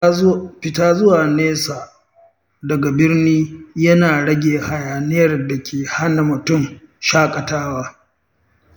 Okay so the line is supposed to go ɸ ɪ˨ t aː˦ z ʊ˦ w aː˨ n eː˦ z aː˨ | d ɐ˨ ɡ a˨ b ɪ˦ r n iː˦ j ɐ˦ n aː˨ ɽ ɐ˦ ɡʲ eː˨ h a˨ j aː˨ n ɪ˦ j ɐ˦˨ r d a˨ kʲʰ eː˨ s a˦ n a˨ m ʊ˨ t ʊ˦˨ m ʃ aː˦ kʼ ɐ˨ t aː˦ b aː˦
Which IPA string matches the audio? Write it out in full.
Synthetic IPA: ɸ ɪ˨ t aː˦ z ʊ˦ w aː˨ n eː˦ s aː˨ | d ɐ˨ ɡ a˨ b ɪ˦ r n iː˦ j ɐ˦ n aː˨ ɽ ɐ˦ ɡʲ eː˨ h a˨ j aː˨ n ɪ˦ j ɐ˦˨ r d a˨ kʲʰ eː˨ h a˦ n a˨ m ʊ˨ t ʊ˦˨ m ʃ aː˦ kʼ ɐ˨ t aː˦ w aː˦